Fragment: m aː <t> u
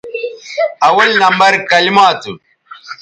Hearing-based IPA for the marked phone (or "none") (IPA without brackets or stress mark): t